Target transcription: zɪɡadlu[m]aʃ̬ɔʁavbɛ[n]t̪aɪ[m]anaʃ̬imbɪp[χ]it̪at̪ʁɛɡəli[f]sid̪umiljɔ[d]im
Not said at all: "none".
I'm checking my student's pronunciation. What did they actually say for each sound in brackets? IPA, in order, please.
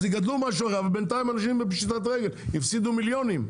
m, n, m, ʃ, f, n

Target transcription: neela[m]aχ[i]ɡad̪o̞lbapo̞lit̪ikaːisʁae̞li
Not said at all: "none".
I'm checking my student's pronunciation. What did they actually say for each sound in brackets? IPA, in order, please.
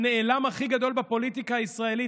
m, i

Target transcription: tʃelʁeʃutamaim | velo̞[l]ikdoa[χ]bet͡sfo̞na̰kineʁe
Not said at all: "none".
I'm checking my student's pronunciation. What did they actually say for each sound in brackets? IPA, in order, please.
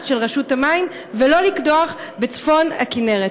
l, χ

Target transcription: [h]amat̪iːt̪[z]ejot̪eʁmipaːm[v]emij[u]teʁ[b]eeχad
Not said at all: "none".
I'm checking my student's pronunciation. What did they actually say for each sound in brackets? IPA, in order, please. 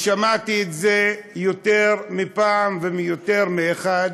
ʃ, z, v, o, m

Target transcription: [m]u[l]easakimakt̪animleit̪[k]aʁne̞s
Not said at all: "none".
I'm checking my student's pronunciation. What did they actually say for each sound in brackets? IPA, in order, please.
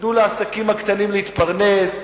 n, l, p

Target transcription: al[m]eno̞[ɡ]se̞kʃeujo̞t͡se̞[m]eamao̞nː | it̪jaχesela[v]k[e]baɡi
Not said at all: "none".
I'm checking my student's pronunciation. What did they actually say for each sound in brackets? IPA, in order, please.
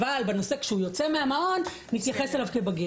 b, none, m, v, e

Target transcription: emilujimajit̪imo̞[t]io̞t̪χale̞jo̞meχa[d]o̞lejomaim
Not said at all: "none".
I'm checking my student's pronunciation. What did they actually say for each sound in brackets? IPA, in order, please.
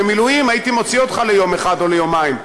t͡s, d

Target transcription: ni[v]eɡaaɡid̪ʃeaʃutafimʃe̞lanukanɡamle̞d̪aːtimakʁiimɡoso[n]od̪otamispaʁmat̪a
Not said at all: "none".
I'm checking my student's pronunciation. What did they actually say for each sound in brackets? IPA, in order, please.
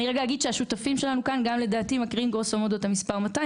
ʁ, m

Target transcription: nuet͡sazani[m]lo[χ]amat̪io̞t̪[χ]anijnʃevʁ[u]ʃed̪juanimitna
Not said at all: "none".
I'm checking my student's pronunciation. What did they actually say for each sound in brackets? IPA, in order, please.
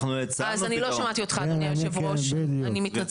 none, ʃ, χ, o

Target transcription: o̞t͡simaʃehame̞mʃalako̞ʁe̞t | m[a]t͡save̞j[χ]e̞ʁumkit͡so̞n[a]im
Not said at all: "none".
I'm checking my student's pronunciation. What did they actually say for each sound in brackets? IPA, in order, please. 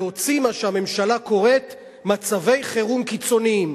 a, χ, i

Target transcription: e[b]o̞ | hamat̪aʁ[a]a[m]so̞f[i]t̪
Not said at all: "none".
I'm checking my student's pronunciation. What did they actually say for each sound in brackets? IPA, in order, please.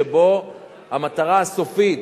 b, a, none, i

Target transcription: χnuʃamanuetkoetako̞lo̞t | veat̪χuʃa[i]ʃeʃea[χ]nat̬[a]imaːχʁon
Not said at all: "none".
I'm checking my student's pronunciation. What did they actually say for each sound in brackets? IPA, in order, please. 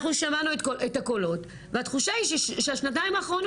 i, ʃ, a

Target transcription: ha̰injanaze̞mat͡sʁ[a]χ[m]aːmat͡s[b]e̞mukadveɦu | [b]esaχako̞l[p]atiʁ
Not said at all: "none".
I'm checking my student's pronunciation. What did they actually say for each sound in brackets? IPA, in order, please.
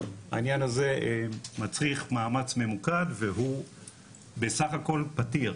i, m, m, b, p

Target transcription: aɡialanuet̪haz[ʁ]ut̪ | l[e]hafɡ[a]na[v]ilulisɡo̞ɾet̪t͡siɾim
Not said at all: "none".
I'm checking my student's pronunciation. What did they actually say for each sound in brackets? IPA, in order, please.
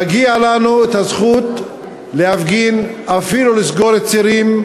χ, e, i, f

